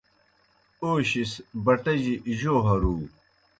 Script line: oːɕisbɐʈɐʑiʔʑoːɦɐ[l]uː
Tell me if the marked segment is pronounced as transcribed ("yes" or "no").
no